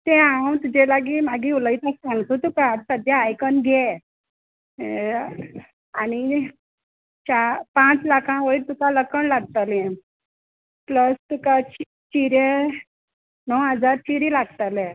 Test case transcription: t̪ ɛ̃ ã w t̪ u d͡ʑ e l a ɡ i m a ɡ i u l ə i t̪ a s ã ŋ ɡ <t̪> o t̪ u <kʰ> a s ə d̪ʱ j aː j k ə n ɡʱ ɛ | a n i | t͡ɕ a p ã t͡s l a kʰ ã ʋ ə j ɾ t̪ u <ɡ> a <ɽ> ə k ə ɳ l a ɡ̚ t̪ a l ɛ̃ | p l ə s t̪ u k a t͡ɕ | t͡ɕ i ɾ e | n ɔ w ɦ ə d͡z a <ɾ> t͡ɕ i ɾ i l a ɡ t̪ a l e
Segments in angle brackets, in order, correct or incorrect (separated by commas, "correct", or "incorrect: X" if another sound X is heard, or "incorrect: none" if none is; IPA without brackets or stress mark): correct, incorrect: k, incorrect: k, incorrect: l, correct